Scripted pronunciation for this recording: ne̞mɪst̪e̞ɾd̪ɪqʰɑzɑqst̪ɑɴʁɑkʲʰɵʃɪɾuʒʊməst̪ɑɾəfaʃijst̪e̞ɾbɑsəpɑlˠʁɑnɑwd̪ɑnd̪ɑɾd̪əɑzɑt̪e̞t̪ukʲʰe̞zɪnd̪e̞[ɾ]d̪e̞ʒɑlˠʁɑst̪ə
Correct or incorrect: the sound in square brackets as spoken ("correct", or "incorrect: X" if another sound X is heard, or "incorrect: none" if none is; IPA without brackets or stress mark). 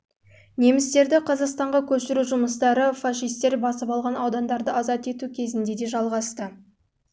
incorrect: none